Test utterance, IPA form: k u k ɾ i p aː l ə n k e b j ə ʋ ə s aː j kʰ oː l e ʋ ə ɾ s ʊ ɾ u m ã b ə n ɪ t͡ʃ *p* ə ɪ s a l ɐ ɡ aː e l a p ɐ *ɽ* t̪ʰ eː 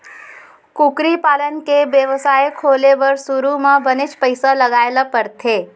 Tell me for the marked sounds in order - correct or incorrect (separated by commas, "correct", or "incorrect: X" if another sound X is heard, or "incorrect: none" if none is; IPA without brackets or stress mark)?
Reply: correct, incorrect: ɾ